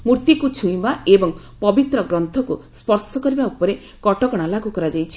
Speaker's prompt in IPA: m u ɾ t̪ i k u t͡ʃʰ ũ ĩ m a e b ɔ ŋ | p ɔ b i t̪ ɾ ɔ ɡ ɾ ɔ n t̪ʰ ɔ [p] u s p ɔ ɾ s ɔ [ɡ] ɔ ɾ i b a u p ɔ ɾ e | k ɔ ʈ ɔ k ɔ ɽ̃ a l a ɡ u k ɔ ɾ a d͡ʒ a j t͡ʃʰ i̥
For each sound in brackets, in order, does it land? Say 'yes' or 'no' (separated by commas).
no, no